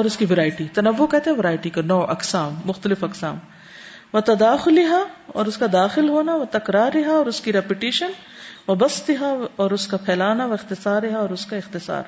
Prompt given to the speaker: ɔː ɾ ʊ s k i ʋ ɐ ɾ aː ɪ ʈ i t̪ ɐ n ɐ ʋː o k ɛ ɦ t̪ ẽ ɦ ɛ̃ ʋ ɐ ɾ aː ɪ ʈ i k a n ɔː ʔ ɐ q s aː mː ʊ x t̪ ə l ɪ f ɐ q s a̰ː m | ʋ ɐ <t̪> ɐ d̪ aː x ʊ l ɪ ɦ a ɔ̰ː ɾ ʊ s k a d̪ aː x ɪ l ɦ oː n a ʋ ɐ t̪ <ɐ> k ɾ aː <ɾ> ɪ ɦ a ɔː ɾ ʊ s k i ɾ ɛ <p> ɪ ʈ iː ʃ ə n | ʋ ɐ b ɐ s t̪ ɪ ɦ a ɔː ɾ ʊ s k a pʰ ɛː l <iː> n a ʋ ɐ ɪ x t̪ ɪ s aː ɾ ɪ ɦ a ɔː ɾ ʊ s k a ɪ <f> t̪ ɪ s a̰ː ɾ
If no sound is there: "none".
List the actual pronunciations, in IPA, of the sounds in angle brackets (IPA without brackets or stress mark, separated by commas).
t̪, ɐ, ɾ, p, aː, x